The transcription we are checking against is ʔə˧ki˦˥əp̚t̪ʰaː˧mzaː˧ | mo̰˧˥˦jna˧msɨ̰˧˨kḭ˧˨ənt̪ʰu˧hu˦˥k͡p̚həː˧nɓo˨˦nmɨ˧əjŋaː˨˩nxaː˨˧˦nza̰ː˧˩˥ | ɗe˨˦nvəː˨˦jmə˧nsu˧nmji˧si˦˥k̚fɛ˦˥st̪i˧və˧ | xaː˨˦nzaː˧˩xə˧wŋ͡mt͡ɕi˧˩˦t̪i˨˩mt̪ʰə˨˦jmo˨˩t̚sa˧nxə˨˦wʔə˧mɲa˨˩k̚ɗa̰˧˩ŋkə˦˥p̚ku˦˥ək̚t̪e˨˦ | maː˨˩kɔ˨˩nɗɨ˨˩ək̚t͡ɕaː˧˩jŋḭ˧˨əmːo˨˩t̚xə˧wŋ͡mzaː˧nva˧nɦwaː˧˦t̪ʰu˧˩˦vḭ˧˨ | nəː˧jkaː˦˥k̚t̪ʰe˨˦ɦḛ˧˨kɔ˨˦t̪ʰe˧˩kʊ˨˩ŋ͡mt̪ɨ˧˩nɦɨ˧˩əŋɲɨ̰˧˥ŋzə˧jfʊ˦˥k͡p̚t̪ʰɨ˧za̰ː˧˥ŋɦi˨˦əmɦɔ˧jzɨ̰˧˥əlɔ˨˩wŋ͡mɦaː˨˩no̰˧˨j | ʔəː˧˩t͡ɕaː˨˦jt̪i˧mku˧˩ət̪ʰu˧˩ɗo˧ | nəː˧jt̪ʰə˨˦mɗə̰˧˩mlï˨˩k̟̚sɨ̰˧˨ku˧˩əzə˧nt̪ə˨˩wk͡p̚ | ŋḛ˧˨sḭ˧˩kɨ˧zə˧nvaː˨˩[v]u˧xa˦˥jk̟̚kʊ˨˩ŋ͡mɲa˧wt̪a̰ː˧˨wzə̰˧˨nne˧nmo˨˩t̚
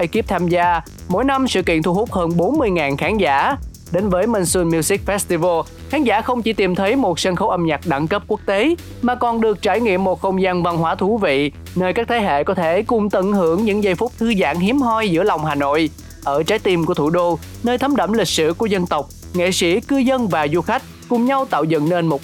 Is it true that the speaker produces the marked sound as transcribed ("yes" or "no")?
no